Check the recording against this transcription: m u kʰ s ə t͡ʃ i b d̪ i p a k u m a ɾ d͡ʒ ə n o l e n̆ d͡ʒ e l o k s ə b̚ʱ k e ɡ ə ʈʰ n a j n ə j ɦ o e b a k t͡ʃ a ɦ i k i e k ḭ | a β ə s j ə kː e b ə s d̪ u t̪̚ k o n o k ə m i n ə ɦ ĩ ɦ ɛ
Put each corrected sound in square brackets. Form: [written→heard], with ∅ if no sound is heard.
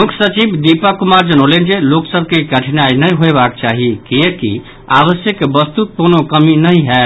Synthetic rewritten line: m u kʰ s ə t͡ʃ i b d̪ i p a k u m a ɾ d͡ʒ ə n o l e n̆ d͡ʒ e l o k s ə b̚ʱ k e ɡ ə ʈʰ n a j n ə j ɦ o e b a k t͡ʃ a ɦ i k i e k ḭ | a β ə s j ə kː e b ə s [d̪→t̪] u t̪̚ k o n o k ə m i n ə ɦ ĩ ɦ ɛ